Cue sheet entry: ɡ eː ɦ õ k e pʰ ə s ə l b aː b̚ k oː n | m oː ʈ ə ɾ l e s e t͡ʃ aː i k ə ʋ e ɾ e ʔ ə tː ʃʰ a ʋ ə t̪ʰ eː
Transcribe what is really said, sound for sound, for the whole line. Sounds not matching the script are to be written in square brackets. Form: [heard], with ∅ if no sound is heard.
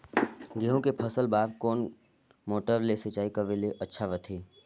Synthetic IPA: ɡ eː ɦ õ k e pʰ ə s ə l b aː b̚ k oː n | m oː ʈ ə ɾ l e s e t͡ʃ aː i k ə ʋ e [l] e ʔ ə tː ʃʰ a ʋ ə t̪ʰ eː